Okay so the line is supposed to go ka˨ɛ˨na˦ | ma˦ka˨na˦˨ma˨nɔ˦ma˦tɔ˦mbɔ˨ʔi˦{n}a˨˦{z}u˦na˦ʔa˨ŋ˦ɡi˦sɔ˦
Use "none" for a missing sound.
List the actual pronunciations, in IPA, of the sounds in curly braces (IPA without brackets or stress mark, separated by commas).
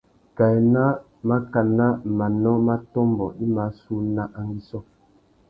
m, s